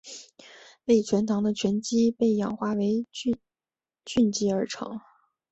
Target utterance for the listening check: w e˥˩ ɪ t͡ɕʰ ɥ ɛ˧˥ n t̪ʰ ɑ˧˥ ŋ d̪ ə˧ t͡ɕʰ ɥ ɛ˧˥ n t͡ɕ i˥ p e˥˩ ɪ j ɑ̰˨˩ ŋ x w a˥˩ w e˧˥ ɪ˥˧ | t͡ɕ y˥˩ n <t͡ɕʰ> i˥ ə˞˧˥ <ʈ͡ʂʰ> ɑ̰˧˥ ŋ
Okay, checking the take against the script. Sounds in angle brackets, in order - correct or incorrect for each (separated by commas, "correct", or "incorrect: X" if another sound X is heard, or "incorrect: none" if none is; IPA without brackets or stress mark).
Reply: incorrect: t͡ɕ, correct